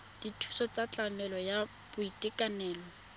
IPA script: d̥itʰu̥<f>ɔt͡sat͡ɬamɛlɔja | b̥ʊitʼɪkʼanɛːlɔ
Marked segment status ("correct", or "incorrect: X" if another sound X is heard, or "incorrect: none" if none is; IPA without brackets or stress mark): incorrect: s